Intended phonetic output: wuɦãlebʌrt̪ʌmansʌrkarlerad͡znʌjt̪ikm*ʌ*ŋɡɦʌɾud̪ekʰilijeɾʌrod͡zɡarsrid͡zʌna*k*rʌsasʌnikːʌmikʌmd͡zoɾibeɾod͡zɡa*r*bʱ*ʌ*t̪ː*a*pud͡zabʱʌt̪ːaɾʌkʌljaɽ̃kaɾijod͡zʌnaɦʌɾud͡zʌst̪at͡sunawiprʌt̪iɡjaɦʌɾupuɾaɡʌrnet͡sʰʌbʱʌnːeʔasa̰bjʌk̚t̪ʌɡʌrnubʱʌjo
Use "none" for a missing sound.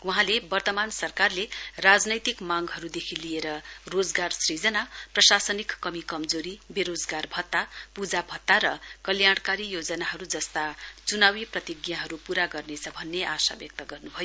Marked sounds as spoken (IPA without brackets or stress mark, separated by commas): a, p, r, ʌ, a